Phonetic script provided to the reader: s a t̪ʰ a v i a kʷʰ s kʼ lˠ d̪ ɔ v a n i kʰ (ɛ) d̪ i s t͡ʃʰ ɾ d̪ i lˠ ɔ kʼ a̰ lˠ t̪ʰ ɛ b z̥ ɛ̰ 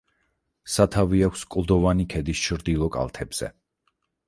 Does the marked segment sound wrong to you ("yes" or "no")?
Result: no